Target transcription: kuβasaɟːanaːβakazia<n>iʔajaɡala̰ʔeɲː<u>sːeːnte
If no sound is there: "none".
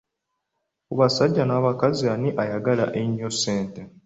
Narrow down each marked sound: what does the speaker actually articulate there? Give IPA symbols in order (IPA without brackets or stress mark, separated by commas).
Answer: n, o